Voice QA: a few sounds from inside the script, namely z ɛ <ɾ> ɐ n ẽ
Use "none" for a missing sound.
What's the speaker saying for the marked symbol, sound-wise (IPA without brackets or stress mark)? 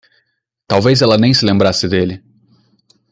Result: l